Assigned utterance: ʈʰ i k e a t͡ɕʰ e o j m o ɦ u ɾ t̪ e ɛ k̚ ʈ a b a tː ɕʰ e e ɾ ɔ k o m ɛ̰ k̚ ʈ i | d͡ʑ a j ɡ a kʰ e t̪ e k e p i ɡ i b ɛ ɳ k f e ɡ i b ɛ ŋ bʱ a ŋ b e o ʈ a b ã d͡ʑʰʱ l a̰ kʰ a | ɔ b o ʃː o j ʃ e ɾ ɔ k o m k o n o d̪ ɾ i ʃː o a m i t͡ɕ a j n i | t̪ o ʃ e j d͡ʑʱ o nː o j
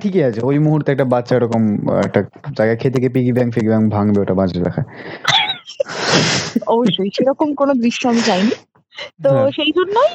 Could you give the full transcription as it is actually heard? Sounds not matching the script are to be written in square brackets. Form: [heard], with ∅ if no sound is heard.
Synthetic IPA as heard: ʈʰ i k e a t͡ɕʰ e o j m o ɦ u ɾ t̪ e ɛ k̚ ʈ a b a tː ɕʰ [a] e ɾ ɔ k o m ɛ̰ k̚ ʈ [a] | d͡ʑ a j ɡ a kʰ e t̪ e k e p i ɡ i b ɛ [ŋ] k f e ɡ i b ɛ ŋ bʱ a ŋ b e o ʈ a b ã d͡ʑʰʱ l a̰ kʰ a | ɔ b o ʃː o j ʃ e ɾ ɔ k o m k o n o d̪ ɾ i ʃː o a m i t͡ɕ a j n i | t̪ o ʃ e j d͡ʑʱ o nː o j